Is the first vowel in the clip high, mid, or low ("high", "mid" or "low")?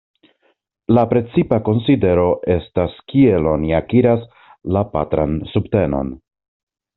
low